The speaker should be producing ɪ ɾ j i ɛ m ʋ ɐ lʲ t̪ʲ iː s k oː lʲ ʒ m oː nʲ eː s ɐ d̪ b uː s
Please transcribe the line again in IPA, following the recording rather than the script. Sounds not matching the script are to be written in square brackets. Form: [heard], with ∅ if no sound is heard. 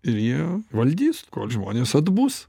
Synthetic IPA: ɪ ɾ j i ɛ [∅] ʋ ɐ lʲ [d̪ʲ] iː s k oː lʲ ʒ m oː nʲ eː s ɐ d̪ b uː s